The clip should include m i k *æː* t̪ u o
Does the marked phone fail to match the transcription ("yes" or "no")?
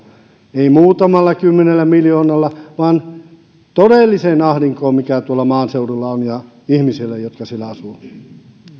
yes